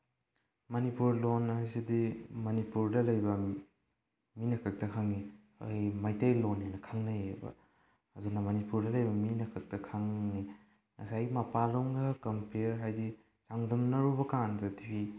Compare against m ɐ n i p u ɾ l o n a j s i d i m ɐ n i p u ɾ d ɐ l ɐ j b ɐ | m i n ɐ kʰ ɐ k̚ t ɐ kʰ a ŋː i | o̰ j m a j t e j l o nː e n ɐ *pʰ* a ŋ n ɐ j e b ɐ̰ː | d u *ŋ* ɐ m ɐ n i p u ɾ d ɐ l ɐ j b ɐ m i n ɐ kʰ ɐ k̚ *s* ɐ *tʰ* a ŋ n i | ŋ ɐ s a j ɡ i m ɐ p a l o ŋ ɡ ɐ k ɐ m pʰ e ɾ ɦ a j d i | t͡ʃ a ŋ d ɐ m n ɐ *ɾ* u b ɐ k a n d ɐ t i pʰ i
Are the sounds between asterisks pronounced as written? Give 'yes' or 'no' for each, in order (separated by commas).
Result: no, no, no, no, yes